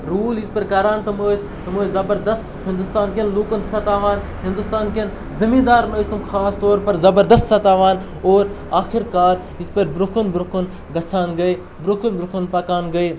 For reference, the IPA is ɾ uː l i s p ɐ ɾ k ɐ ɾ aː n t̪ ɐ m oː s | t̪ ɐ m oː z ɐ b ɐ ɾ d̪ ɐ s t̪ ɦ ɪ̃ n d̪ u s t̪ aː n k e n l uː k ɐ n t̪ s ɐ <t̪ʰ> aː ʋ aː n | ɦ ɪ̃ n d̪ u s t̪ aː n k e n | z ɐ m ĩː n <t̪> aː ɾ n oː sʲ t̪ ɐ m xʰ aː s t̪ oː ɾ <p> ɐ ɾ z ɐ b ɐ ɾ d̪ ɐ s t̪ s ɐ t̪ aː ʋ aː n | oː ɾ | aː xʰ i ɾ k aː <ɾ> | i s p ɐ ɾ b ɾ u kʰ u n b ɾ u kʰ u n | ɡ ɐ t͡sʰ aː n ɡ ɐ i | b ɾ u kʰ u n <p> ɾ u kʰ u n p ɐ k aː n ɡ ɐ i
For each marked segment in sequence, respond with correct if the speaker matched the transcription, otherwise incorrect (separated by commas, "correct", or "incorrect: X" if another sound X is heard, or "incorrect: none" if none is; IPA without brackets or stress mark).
incorrect: t̪, incorrect: d̪, correct, correct, incorrect: b